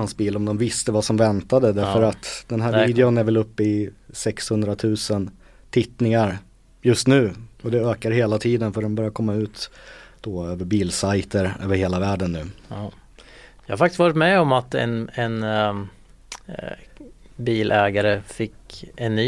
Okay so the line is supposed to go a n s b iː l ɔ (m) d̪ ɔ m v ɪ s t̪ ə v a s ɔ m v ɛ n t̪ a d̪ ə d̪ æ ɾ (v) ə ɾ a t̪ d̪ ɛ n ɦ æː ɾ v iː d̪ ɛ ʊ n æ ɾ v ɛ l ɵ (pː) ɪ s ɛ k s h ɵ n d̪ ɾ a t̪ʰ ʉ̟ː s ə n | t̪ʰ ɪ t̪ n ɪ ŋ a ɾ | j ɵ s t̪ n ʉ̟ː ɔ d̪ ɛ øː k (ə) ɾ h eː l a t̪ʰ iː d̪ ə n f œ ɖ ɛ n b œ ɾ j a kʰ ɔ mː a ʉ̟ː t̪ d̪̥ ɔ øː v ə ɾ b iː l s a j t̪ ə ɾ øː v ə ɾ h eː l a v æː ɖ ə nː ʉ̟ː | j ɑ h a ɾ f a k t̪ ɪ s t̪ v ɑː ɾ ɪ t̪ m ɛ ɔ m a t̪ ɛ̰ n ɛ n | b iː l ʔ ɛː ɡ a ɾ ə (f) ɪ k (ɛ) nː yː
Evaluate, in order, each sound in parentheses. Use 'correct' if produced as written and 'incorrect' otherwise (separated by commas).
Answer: correct, incorrect, correct, incorrect, correct, correct